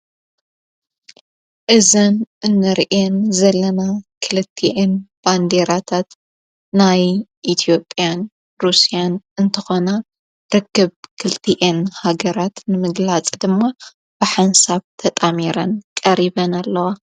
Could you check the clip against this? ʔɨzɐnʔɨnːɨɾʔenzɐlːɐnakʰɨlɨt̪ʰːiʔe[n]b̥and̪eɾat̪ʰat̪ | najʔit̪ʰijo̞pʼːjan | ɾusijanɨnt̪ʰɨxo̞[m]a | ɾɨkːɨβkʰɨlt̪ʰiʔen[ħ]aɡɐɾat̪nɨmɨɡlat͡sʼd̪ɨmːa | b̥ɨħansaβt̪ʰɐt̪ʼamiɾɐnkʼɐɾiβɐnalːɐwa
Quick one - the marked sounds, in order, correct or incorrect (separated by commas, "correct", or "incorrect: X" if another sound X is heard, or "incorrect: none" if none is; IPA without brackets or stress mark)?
correct, incorrect: n, incorrect: h